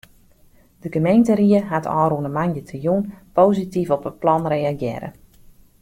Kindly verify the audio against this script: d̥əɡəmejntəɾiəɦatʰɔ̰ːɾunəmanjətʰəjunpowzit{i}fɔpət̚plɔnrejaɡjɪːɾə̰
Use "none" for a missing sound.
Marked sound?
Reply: i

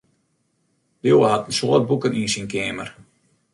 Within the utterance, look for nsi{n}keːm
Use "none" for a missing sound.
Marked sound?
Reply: n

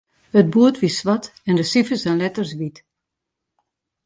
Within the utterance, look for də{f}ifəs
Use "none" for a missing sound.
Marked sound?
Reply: s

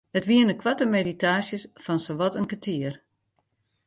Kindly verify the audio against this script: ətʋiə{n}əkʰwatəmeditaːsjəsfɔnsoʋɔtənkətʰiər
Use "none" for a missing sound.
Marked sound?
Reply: n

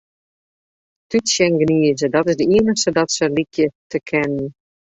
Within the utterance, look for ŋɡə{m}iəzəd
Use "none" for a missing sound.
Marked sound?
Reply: n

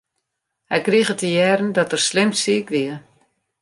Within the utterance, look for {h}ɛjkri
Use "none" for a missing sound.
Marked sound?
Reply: h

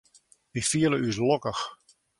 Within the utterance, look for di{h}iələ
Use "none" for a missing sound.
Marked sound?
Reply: f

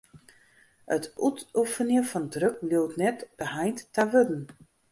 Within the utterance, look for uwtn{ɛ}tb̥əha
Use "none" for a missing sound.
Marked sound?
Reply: ɛ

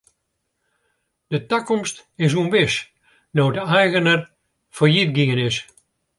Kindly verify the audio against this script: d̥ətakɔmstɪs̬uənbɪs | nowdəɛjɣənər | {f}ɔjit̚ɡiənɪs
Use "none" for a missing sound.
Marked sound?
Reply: f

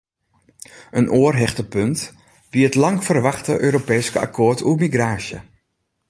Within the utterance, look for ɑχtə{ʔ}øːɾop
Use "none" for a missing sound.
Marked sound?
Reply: ʔ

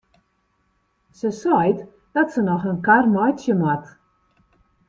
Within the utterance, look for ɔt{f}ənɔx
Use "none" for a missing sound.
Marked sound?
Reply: s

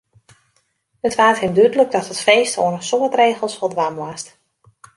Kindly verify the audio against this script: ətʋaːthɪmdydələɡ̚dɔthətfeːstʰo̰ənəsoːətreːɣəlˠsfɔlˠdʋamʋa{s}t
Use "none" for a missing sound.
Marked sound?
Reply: s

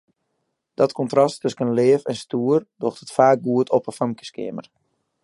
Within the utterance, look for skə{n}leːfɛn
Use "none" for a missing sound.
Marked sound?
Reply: n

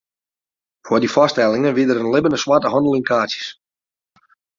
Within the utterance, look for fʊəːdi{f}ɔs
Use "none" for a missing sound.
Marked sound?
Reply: f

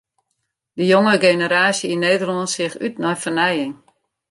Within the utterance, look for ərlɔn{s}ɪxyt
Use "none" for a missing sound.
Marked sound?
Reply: s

